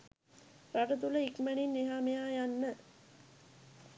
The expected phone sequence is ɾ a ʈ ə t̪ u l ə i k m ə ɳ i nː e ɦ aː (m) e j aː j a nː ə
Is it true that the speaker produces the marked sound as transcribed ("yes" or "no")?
yes